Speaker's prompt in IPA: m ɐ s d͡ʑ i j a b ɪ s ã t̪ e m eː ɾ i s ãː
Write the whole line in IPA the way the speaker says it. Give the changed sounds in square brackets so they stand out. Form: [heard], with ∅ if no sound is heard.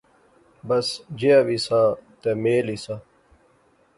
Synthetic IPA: [b] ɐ s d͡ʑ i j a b [i] s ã t̪ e m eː [l] i s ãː

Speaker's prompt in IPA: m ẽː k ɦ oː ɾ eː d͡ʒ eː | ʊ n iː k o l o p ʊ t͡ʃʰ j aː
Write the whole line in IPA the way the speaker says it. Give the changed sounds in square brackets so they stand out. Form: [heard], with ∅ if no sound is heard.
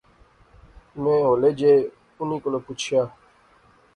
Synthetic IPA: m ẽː [∅] ɦ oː [l] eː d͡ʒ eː | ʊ n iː k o l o p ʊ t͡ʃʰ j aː

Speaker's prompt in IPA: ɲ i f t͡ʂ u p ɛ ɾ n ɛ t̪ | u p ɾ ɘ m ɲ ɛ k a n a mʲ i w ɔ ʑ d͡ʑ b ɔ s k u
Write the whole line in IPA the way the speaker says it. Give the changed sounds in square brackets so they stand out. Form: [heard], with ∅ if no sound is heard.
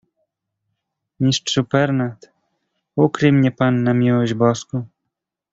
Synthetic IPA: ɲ i [ʂ] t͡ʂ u p ɛ ɾ n [a] t̪ | u [k] ɾ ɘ m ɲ ɛ [p] a [nː] a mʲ i w ɔ ʑ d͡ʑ b ɔ s k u

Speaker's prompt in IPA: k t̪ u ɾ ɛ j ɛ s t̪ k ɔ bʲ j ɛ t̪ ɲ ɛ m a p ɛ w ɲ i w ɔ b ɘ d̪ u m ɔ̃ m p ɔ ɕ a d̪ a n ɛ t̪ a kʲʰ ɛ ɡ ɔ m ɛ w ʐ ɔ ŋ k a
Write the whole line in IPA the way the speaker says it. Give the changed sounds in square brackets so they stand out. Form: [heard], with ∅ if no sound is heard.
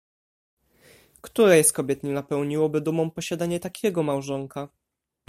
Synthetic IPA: k t̪ u ɾ ɛ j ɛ s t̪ k ɔ bʲ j ɛ t̪ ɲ ɛ [n] a p ɛ w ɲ i w ɔ b ɘ d̪ u m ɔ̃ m p ɔ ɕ a d̪ a [ɲ] ɛ t̪ a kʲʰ ɛ ɡ ɔ m [a] w ʐ ɔ ŋ k a

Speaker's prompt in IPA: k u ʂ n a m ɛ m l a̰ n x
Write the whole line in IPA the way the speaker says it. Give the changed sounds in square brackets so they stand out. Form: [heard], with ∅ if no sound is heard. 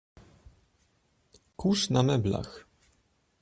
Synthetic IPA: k u ʂ n a m ɛ [b] l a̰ [∅] x

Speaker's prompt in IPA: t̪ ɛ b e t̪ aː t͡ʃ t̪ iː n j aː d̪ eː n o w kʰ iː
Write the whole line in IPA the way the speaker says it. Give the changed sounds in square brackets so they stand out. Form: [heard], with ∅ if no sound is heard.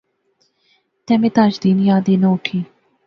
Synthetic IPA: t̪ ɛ [m] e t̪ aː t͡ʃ [d̪] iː n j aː d̪ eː n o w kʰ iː

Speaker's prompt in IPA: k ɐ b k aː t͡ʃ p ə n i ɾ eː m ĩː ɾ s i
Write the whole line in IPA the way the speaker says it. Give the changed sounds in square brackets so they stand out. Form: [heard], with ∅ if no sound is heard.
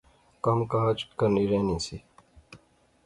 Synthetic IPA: k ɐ [m] k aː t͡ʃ [k] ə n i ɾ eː [n] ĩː [∅] s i

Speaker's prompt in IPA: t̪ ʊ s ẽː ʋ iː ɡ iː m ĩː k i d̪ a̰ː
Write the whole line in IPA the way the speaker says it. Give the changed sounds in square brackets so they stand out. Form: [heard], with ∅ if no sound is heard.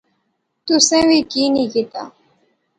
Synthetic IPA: t̪ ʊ s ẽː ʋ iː [k] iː [n] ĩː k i [t̪] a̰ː

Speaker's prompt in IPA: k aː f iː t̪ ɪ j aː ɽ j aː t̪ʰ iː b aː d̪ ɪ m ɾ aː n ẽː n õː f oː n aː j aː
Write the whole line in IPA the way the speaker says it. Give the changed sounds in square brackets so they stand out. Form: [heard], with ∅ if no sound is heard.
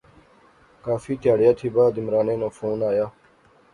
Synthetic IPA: k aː f iː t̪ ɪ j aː ɽ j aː t̪ʰ iː b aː d̪ ɪ m ɾ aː n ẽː n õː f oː n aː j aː

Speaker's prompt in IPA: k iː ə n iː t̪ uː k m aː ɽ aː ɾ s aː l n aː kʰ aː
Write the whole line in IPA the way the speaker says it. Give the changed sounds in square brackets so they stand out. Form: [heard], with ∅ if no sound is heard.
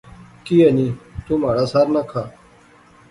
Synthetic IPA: k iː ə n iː t̪ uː [∅] m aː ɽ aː [∅] s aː [ɾ] n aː kʰ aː

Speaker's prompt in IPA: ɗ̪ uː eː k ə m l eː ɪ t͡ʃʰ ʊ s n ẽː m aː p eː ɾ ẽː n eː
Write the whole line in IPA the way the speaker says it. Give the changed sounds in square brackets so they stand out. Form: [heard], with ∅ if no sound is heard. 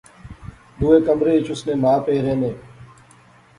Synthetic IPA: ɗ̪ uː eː k ə m [ɾ] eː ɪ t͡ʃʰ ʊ s n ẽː m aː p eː ɾ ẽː n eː

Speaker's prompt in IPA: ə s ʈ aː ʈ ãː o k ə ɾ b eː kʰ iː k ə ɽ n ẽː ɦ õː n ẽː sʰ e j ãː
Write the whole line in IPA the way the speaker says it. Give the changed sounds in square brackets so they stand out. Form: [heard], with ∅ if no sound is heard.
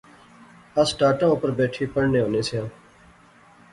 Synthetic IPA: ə s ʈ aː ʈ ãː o [p] ə ɾ b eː [ʈʰ] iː [p] ə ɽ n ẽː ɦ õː n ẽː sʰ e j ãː

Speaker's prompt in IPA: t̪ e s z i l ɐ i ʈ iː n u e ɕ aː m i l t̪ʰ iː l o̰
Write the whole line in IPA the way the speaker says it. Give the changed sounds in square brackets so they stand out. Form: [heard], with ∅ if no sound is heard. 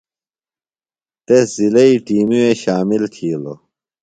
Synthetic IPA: t̪ e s z i l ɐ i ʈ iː [m] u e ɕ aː m i l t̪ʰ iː l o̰

